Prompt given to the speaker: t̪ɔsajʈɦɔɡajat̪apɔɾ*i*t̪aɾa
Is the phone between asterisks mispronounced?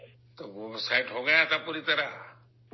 no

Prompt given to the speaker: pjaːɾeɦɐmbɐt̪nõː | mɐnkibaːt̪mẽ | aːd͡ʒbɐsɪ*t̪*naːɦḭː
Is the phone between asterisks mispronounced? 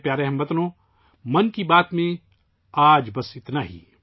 no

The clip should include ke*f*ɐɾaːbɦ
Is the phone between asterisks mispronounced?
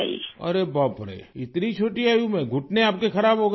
yes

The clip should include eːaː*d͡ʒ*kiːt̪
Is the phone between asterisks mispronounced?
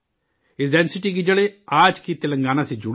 no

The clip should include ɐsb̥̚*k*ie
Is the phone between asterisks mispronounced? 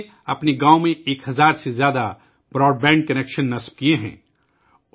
no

